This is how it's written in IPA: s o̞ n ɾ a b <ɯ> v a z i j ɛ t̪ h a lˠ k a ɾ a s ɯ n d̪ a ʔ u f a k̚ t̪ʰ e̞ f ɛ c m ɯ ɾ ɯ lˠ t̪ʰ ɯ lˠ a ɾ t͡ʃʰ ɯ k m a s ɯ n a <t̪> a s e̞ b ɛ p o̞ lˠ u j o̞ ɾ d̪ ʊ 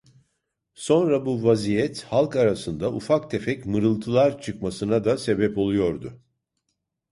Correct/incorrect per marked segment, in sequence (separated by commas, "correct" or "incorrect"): incorrect, incorrect